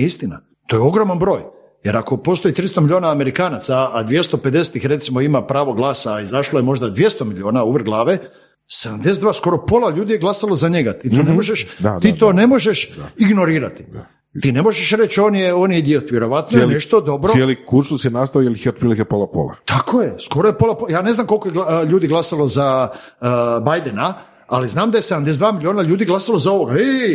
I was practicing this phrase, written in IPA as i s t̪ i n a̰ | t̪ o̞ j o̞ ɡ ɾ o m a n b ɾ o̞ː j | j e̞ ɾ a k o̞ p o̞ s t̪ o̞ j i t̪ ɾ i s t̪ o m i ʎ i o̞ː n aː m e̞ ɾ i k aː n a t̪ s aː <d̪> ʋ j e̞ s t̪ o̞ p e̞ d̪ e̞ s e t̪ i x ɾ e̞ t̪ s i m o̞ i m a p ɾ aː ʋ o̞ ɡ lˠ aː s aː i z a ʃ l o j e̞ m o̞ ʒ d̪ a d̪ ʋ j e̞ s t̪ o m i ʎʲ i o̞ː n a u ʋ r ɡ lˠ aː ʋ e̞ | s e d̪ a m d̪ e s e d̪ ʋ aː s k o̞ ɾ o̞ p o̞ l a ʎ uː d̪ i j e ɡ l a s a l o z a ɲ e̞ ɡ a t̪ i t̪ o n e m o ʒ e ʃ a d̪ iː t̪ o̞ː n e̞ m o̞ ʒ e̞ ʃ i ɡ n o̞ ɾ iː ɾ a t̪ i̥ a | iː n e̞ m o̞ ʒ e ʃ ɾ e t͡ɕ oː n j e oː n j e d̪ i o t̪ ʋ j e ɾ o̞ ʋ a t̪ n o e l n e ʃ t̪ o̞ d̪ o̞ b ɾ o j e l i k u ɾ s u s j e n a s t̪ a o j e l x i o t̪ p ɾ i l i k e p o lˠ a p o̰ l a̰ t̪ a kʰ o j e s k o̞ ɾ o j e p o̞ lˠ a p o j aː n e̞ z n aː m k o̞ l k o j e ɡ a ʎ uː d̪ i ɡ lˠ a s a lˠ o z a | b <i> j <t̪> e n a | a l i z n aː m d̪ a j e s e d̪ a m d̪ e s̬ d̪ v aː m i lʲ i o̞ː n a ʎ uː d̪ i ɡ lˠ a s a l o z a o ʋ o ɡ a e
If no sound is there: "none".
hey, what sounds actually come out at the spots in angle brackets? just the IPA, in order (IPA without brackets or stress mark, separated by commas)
d̪, a, d̪